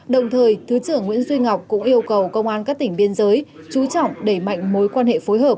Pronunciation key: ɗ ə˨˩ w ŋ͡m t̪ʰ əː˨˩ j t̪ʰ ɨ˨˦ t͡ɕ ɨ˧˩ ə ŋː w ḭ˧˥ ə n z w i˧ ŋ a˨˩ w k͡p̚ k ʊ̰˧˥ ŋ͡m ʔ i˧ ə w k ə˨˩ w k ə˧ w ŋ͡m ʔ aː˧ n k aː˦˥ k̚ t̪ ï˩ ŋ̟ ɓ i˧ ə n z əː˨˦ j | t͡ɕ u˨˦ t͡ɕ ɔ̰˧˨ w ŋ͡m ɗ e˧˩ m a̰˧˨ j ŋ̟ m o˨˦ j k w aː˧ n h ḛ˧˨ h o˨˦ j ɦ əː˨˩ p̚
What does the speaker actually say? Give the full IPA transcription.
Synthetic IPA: ɗ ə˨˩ w ŋ͡m t̪ʰ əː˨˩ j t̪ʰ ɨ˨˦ t͡ɕ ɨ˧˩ ə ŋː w ḭ˧˥ ə n z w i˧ ŋ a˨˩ w k͡p̚ k ʊ̰˧˥ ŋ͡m ʔ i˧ ə w k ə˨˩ w k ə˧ w ŋ͡m ʔ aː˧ n k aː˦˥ k̚ t̪ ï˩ ŋ̟ ɓ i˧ ə n z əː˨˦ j | t͡ɕ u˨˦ t͡ɕ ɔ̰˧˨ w ŋ͡m ɗ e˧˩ m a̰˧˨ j ŋ̟ m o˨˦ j k w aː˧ n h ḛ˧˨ f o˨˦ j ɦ əː˨˩ p̚